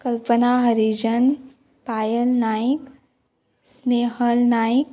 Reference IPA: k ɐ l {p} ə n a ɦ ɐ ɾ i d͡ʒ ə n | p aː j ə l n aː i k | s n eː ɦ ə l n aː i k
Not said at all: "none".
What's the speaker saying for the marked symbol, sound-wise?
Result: p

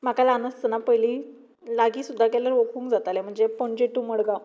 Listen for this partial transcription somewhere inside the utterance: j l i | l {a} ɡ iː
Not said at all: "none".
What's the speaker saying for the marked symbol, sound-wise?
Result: a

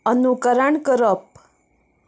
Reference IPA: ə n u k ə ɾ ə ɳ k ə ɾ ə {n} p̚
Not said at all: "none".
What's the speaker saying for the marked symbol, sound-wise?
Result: none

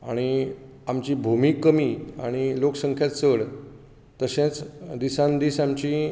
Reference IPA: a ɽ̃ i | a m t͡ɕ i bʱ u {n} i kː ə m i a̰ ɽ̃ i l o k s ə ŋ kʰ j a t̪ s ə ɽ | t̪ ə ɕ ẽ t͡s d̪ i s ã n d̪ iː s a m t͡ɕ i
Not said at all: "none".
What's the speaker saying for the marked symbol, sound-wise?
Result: m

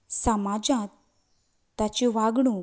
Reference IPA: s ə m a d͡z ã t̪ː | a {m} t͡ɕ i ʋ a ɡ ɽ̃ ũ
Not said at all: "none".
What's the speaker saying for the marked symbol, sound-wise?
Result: none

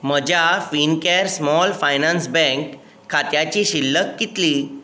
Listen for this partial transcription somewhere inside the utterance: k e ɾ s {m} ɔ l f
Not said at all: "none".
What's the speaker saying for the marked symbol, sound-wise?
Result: m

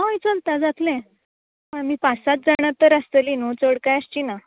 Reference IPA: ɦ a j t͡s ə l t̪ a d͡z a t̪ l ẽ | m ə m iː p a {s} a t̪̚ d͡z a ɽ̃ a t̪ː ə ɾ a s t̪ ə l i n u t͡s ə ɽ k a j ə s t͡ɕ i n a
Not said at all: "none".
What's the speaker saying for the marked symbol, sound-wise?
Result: s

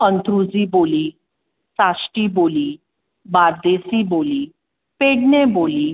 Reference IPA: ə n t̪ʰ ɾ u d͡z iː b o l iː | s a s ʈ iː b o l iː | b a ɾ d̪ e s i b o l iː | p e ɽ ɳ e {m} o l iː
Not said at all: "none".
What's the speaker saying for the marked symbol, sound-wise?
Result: b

